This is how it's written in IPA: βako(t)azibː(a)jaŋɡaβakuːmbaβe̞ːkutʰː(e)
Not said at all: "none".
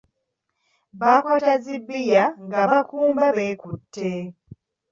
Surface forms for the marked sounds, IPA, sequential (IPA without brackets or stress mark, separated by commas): t, i, e